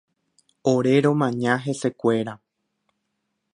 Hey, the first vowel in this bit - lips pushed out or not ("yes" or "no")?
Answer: yes